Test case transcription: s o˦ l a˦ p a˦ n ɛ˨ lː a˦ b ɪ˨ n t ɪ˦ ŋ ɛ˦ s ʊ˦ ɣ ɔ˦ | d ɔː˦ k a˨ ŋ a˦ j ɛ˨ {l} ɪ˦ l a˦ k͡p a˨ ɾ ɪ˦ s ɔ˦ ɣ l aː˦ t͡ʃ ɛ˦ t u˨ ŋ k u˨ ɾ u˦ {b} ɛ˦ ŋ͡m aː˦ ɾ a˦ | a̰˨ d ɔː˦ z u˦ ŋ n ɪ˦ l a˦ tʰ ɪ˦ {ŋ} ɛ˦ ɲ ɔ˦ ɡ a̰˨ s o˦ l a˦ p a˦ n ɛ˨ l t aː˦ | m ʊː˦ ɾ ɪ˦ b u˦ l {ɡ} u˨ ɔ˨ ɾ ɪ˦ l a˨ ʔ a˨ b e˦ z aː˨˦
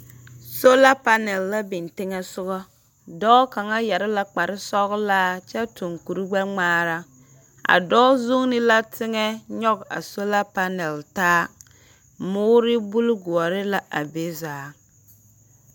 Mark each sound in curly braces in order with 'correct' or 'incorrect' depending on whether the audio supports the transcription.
incorrect, incorrect, correct, correct

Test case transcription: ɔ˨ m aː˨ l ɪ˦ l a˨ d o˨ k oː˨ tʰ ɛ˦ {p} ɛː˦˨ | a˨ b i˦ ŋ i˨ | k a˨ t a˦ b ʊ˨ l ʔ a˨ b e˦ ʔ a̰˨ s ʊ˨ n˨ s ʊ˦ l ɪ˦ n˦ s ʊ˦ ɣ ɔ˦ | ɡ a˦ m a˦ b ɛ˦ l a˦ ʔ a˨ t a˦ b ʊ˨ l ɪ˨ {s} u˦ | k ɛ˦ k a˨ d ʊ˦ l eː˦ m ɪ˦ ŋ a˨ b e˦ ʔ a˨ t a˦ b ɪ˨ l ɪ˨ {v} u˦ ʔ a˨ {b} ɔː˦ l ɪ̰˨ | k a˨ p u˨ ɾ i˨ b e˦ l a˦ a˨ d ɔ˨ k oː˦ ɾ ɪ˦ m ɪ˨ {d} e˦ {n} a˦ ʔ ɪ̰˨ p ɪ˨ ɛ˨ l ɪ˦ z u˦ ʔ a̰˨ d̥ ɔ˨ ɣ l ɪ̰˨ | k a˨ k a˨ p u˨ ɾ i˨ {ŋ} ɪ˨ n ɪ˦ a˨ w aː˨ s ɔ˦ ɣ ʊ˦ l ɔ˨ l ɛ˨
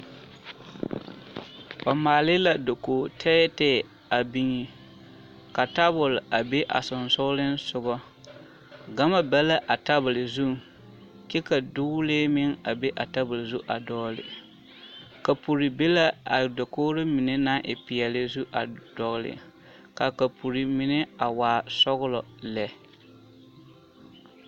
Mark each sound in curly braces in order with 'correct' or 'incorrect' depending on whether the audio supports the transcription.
incorrect, incorrect, incorrect, incorrect, incorrect, correct, incorrect

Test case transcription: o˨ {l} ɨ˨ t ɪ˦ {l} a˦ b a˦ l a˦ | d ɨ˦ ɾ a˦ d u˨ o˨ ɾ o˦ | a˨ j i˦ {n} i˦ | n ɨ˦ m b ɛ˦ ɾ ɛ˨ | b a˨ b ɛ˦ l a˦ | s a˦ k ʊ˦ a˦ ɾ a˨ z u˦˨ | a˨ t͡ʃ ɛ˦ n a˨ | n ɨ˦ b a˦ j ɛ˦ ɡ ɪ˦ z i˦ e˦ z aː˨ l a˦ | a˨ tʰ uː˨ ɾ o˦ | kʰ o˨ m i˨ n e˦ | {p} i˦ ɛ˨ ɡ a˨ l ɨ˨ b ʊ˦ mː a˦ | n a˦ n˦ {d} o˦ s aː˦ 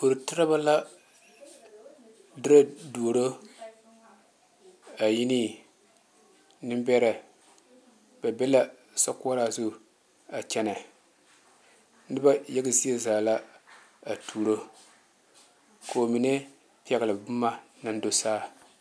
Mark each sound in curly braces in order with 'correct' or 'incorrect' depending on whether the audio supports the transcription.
incorrect, incorrect, correct, correct, correct

